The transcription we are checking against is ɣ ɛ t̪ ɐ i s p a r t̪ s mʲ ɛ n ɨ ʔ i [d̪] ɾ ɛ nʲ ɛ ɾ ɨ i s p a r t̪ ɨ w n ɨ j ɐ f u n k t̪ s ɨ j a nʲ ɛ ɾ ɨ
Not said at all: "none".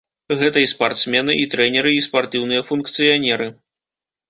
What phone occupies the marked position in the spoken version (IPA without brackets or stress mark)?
t̪